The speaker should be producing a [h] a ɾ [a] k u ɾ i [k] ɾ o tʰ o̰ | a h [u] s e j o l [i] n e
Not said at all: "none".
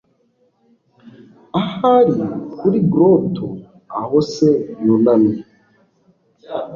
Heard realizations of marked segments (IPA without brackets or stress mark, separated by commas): h, i, ɡ, o, a